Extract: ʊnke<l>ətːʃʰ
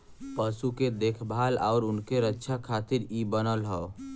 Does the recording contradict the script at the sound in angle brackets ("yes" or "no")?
yes